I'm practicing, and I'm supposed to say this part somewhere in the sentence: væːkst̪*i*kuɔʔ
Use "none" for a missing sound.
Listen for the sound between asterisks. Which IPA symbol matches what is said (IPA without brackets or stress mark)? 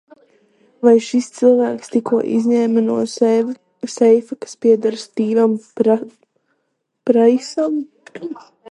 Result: i